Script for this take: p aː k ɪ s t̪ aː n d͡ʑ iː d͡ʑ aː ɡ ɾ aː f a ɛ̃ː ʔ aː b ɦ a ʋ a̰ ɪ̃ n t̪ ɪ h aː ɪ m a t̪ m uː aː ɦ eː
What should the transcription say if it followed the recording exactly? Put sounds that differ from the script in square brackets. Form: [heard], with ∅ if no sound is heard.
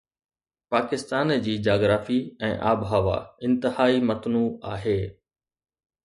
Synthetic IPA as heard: p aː k ɪ s t̪ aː n d͡ʑ iː d͡ʑ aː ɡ ɾ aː f [i] ɛ̃ː ʔ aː b ɦ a ʋ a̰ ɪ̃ n t̪ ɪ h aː [i] m [ɐ] t̪ [n] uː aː ɦ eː